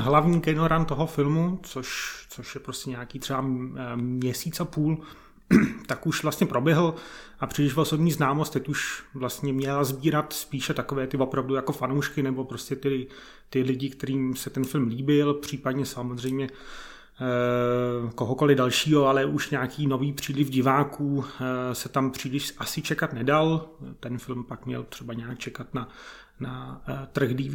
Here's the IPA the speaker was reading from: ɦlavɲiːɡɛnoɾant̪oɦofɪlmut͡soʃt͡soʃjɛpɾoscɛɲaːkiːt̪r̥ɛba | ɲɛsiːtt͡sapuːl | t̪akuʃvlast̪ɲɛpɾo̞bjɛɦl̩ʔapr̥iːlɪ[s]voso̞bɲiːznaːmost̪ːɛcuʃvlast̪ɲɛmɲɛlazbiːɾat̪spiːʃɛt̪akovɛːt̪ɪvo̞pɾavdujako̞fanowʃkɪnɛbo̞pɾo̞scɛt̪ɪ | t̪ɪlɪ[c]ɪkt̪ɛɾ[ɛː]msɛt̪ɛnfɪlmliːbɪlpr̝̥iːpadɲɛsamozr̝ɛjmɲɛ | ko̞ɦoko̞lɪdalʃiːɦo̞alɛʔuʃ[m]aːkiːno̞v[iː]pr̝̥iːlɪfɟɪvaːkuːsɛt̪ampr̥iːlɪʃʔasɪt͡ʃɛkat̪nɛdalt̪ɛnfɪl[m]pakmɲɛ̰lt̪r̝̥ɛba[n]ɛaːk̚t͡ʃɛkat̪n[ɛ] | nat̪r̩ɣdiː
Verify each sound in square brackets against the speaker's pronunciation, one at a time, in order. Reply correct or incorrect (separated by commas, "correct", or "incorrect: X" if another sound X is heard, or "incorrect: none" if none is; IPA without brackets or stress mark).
incorrect: ʃ, incorrect: ɟ, incorrect: iː, incorrect: ɲ, correct, correct, incorrect: ɲ, incorrect: a